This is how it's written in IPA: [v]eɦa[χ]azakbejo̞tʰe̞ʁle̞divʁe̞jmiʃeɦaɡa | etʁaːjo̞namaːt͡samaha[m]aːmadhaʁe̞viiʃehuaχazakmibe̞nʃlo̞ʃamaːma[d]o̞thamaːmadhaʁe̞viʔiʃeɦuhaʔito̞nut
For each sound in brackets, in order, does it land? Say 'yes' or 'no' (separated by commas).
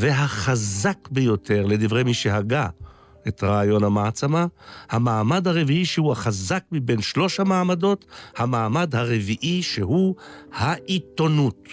yes, yes, yes, yes